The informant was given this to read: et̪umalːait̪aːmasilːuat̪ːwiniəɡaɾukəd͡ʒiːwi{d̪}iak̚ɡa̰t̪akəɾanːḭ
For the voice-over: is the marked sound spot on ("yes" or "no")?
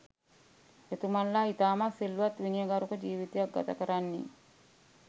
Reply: no